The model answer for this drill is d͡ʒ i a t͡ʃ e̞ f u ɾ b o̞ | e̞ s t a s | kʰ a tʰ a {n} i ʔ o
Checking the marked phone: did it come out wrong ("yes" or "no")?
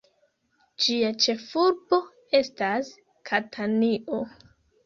no